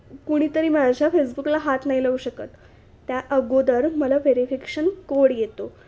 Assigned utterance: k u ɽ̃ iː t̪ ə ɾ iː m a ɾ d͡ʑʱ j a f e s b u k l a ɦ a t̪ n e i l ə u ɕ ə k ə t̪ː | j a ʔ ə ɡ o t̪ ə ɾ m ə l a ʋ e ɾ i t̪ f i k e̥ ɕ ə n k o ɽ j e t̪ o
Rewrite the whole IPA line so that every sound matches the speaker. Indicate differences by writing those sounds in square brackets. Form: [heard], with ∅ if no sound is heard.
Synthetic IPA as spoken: k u ɽ̃ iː t̪ ə ɾ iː m a [∅] d͡ʑʱ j a f e s b u k l a ɦ a t̪ n [a] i l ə u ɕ ə k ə t̪ː | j a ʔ ə ɡ o [d̪] ə ɾ m ə l a ʋ e ɾ i [∅] f i k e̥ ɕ ə n k o ɽ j e t̪ o